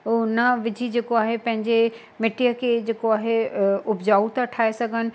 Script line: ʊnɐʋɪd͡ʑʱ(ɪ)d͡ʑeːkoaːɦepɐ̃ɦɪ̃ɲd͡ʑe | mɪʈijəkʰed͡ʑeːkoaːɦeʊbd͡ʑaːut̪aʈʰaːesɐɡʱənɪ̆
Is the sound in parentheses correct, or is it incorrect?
incorrect